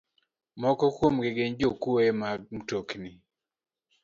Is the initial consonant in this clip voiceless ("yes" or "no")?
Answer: no